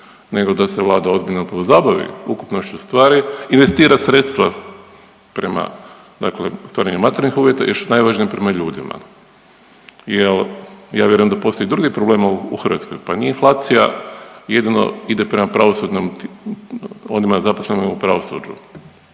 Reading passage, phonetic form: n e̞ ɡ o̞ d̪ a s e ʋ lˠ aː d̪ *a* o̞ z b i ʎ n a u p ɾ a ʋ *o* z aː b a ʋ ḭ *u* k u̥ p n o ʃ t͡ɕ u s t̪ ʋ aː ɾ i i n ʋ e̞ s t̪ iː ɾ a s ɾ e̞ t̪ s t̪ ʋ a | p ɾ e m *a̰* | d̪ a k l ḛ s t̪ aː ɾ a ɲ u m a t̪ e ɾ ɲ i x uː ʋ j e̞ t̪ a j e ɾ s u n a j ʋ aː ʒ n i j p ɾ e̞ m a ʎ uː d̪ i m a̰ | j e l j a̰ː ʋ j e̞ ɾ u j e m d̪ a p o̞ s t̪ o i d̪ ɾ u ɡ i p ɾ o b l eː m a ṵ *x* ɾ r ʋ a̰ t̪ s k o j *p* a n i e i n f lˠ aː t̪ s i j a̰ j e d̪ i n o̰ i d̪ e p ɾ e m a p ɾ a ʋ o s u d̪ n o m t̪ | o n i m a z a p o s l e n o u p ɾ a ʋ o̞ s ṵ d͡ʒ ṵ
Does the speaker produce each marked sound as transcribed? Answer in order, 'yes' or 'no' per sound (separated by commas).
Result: yes, yes, yes, yes, yes, yes